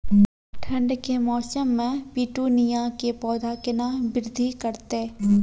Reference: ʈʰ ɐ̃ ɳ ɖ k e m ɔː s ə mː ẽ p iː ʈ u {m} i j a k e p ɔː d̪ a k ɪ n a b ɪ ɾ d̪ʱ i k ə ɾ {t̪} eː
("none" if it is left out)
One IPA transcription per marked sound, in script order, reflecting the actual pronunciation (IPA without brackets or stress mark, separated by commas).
n, t̪